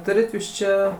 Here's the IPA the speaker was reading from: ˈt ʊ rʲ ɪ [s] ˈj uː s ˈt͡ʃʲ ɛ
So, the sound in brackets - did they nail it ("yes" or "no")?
no